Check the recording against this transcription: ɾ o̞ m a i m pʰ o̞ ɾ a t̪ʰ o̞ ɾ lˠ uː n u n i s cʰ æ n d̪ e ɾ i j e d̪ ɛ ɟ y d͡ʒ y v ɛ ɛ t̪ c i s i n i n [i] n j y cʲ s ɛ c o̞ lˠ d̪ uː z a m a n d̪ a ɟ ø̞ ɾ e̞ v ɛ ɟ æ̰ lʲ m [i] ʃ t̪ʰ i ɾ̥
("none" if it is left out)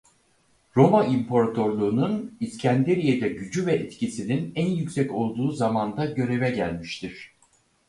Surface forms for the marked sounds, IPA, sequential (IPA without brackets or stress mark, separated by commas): æ, i